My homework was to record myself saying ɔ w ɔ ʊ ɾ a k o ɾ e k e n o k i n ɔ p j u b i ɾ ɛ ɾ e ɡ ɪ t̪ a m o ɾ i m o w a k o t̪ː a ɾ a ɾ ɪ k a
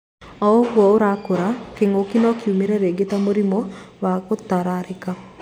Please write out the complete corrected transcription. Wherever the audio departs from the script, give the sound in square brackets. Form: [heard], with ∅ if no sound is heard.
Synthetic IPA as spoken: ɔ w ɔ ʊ ɾ a k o ɾ [a] k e [ŋ] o k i n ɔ [k] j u [m] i ɾ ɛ ɾ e ɡ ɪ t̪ a m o ɾ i m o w a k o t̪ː a ɾ a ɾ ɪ k a